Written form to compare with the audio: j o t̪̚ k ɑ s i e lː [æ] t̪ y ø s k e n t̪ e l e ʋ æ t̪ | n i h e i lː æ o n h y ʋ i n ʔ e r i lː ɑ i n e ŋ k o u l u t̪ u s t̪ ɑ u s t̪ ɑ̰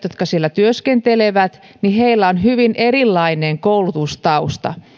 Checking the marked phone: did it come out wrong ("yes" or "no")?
no